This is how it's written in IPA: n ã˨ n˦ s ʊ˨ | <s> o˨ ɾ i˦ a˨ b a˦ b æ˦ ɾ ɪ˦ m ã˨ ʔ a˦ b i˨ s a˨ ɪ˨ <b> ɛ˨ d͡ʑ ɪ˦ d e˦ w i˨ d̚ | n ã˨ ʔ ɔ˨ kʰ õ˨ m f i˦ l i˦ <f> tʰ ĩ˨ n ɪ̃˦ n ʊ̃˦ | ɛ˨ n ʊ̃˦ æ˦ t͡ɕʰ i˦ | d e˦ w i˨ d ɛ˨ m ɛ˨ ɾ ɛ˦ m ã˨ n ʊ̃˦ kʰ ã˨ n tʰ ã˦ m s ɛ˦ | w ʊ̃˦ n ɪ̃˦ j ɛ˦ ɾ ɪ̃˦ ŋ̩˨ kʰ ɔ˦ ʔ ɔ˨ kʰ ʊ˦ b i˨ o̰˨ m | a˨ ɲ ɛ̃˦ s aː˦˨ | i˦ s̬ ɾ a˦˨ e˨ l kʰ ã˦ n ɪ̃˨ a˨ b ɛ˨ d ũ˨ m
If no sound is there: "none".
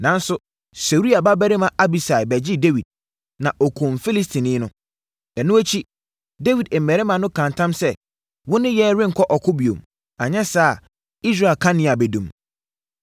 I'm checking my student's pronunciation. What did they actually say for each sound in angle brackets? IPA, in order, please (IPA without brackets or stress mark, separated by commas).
s, b, s